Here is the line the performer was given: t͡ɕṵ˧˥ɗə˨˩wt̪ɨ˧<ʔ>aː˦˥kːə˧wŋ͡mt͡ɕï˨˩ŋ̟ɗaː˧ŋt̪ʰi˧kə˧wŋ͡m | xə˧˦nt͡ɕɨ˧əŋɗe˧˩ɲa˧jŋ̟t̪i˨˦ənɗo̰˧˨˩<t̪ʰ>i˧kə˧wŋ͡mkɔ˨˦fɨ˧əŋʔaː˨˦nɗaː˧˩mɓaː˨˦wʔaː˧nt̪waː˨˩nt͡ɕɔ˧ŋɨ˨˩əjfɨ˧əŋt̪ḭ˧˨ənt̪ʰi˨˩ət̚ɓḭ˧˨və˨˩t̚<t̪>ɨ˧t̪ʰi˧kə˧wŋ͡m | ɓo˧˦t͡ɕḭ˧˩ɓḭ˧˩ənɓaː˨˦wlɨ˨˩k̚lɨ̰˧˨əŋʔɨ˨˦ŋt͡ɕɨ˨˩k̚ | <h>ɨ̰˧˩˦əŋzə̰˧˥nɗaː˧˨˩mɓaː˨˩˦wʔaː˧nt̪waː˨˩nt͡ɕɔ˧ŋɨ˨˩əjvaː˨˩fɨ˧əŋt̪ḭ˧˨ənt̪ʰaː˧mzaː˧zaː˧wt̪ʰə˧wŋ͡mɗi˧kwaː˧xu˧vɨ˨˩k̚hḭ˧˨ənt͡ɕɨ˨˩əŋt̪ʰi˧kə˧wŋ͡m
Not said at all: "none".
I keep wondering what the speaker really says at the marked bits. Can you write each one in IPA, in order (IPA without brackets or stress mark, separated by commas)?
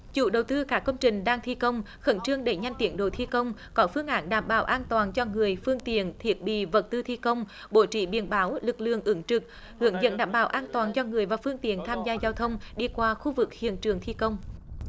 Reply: k, t̪ʰ, t̪, h